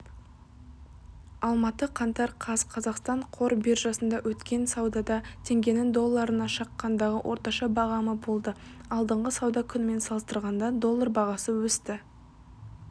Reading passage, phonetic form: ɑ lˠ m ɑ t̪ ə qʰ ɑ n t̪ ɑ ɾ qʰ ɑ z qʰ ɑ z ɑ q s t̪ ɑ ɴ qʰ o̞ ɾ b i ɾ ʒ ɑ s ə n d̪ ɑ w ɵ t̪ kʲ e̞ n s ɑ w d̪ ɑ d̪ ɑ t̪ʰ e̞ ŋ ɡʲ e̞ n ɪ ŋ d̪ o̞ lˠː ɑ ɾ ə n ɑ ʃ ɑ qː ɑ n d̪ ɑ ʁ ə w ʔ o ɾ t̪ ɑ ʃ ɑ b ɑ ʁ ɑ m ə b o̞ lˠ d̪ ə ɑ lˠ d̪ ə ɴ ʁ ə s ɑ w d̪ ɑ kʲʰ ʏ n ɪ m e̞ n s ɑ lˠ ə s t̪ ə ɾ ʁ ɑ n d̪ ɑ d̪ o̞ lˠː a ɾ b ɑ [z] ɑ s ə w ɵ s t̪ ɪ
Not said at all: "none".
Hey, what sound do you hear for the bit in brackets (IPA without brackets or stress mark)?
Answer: ʁ